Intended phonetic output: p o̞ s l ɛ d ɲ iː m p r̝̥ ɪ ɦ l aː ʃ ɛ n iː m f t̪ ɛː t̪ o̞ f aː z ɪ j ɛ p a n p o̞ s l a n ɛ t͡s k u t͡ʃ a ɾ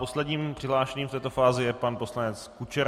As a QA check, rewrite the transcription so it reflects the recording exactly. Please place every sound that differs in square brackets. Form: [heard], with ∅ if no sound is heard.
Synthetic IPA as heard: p o̞ s l ɛ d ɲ iː m p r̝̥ ɪ ɦ l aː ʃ ɛ [ɲ] iː m f t̪ ɛː t̪ o̞ f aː z ɪ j ɛ p a n p o̞ s l a n ɛ t͡s k u t͡ʃ [ɛ] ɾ